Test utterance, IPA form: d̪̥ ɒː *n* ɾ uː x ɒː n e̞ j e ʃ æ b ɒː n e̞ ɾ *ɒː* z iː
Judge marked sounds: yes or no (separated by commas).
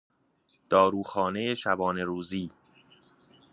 no, no